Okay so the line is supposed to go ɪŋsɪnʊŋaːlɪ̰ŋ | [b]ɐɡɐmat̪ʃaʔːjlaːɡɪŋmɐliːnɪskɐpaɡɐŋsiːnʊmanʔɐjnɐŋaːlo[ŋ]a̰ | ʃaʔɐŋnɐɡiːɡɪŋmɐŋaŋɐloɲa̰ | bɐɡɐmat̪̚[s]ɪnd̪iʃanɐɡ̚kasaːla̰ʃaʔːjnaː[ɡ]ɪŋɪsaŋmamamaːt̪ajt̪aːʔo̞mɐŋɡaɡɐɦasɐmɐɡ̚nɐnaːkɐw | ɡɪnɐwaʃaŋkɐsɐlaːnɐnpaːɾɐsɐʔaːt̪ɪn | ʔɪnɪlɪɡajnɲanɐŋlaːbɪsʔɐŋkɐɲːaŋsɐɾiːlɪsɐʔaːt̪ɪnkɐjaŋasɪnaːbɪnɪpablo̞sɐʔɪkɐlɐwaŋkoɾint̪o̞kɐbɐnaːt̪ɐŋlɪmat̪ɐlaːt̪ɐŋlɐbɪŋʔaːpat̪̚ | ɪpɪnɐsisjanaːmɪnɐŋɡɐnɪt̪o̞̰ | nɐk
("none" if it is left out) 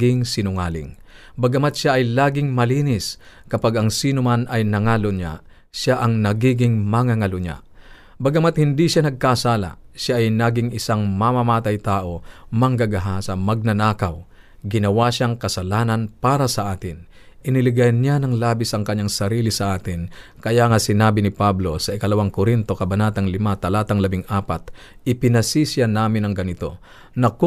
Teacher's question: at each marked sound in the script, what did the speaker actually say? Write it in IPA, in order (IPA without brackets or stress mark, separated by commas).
b, ɲ, h, ɡ